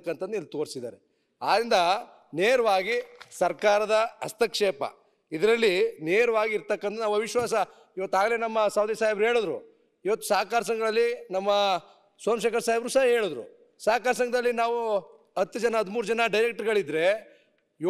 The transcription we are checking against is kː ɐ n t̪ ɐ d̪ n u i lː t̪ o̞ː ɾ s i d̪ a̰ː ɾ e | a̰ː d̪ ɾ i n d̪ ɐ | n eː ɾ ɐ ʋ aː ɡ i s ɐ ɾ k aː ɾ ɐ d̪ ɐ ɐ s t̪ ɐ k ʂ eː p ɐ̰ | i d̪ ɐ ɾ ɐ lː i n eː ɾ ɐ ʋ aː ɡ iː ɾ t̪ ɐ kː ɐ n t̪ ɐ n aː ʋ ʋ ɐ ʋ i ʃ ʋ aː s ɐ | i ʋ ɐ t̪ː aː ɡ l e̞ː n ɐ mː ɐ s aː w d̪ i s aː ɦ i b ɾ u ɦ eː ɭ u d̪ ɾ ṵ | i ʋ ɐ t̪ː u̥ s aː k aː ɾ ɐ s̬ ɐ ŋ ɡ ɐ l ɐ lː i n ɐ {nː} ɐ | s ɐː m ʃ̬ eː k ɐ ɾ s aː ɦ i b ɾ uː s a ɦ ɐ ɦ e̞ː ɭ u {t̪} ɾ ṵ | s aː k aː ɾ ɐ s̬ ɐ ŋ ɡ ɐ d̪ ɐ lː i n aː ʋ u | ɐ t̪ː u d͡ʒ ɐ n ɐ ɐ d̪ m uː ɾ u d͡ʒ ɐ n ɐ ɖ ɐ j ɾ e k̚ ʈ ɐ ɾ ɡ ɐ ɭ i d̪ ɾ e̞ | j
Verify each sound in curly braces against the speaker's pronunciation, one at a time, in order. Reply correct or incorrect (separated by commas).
incorrect, incorrect